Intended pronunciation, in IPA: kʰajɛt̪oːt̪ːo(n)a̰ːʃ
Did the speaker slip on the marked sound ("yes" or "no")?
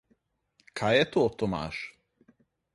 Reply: yes